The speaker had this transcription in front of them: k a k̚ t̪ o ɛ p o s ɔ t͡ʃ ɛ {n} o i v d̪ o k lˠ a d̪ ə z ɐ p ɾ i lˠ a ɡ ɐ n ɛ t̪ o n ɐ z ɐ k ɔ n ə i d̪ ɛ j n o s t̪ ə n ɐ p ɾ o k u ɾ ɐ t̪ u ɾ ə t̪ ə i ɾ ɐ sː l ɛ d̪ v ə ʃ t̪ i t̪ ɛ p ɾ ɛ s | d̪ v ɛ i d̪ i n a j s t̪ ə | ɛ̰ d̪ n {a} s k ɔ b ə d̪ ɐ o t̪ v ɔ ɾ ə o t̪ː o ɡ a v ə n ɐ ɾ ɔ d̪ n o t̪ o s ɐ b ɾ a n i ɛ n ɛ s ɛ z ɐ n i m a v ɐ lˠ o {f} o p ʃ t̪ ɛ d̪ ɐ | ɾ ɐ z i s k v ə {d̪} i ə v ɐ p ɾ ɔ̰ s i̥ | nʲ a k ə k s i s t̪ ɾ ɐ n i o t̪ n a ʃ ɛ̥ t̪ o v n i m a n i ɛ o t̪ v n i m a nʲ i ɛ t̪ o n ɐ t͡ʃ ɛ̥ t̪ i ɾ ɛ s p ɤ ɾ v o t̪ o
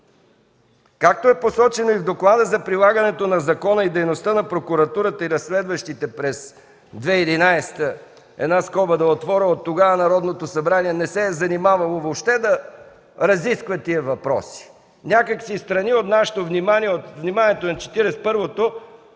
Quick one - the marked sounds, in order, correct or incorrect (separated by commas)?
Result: correct, correct, incorrect, incorrect